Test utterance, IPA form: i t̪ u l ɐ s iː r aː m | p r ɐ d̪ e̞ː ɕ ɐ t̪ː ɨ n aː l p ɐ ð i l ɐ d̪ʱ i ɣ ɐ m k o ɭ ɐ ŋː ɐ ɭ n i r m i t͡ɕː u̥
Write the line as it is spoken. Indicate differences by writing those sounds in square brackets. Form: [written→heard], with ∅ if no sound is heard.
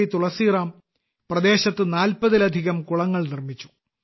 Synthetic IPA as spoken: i t̪ u [l→ɭ] ɐ s iː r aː m | p r ɐ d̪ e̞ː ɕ ɐ t̪ː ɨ n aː l p ɐ ð i l ɐ d̪ʱ i ɣ ɐ m k [o→u] ɭ ɐ ŋː ɐ ɭ n i r m i t͡ɕː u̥